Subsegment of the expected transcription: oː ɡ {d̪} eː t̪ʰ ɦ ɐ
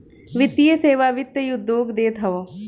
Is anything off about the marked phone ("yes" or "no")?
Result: no